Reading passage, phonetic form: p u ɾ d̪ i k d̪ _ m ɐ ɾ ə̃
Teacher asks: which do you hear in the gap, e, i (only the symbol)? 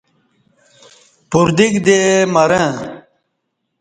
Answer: e